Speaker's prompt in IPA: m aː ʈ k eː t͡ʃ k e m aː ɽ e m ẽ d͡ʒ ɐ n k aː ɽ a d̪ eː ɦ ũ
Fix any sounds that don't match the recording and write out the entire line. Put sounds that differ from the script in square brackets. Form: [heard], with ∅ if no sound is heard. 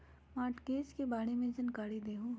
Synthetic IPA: m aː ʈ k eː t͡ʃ k e [b] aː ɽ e m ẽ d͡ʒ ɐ n k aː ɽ [i] d̪ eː ɦ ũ